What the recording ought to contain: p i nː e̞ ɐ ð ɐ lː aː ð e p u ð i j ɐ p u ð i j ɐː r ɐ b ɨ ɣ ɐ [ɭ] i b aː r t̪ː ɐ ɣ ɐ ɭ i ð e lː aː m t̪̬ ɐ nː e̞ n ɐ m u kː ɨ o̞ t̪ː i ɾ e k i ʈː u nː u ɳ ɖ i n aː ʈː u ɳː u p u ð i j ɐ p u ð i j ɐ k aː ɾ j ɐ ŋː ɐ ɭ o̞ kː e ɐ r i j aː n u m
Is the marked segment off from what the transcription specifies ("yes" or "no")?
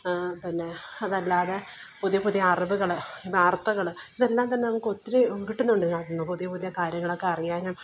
no